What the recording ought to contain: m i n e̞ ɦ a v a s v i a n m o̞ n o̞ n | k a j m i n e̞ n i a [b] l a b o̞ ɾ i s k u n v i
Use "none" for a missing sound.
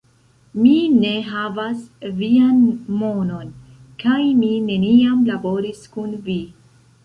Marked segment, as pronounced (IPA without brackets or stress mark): m